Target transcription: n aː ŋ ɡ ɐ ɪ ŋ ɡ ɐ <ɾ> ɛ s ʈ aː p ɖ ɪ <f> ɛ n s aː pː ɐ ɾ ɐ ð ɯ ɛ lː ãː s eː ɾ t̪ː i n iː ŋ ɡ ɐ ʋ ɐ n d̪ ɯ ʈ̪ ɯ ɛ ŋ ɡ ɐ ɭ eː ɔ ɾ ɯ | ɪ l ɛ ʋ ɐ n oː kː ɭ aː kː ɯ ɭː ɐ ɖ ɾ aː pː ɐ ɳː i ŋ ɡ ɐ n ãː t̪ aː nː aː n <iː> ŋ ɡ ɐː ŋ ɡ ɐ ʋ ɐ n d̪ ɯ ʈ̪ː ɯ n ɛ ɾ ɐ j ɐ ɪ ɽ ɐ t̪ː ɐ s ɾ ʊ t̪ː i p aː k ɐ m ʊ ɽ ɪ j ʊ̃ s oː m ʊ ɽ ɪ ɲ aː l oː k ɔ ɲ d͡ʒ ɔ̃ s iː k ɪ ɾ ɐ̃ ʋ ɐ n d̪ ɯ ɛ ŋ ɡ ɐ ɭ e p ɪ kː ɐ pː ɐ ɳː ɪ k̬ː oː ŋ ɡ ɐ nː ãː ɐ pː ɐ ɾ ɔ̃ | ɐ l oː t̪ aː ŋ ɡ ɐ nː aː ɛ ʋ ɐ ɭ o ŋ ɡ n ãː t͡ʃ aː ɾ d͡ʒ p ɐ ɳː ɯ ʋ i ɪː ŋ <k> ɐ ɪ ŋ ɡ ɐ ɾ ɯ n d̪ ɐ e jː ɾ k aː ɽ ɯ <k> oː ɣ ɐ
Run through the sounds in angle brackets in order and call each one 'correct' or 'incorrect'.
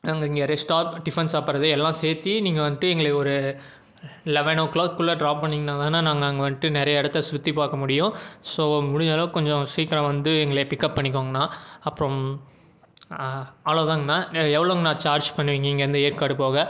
correct, correct, incorrect, incorrect, incorrect

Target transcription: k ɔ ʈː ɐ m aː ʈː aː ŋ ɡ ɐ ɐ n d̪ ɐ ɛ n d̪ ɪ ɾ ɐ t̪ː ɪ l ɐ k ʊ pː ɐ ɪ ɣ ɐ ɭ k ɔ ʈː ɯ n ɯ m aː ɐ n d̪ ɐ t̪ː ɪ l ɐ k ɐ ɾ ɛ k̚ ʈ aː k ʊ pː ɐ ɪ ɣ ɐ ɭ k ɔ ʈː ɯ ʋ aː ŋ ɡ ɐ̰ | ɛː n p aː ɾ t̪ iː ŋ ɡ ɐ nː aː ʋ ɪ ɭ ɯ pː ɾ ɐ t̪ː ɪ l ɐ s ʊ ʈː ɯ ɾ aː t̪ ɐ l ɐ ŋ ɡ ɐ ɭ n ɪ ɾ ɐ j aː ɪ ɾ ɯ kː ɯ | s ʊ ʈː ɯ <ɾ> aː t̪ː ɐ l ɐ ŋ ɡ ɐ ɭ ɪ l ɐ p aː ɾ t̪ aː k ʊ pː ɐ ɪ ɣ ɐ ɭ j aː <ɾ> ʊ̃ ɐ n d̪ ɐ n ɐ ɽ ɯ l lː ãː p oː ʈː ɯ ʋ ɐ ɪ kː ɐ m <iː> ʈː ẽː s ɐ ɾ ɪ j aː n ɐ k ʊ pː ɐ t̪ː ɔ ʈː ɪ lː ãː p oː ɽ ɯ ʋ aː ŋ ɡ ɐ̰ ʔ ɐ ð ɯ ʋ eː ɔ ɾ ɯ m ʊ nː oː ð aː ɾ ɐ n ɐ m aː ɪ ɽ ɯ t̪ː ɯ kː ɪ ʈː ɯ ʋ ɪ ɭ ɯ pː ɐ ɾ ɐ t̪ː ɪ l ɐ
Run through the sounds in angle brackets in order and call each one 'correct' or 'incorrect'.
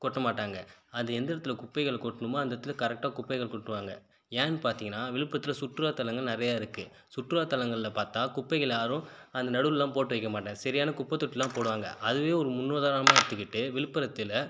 correct, correct, incorrect

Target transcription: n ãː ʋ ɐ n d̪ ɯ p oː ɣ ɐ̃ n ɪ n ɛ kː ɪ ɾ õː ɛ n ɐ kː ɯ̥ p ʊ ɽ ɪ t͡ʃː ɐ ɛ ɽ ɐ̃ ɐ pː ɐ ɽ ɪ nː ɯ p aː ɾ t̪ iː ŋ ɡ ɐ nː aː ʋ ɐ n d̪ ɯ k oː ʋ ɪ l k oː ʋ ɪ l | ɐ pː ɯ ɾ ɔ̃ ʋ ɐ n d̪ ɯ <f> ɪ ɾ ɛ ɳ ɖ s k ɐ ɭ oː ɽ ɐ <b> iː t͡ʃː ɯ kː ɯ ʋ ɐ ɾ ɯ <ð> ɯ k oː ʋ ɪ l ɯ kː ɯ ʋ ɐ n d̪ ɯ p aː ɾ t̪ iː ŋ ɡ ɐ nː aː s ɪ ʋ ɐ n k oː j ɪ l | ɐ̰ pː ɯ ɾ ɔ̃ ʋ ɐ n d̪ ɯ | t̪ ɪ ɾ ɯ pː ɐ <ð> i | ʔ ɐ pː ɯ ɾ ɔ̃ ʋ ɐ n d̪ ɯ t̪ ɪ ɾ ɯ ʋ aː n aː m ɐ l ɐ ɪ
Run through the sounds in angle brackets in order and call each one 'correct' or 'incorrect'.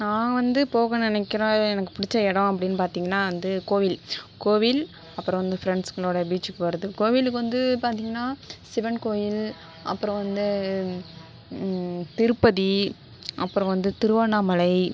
correct, correct, correct, correct

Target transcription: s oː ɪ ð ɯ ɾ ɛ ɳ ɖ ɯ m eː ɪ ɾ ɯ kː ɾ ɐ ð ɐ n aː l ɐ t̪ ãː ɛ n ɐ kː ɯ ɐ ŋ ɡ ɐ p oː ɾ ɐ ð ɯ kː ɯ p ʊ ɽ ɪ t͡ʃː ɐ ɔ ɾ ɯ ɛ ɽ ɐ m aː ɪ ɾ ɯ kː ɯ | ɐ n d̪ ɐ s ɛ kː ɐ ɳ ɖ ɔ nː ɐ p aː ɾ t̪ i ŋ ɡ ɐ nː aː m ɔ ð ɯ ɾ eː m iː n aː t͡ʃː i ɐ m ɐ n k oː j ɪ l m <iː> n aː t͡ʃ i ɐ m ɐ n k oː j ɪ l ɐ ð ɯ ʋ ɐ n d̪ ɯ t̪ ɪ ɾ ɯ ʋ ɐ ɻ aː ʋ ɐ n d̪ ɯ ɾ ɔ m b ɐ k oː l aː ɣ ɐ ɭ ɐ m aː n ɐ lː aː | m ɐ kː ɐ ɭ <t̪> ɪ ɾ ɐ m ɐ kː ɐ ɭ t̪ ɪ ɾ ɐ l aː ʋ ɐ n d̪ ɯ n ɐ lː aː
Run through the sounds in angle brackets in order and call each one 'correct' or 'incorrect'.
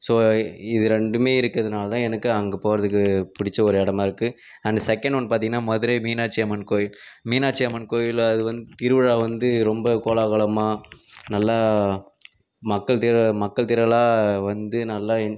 correct, correct

